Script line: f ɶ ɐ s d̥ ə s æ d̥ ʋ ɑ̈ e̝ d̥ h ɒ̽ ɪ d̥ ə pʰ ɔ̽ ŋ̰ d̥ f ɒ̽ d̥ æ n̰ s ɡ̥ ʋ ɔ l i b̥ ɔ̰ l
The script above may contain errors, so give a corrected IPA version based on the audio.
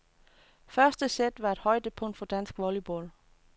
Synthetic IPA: f ɶ ɐ s d̥ ə s e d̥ ʋ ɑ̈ e̝ d̥ h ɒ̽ ɪ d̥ ə pʰ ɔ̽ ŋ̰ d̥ f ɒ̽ d̥ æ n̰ s ɡ̥ ʋ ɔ l i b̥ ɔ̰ l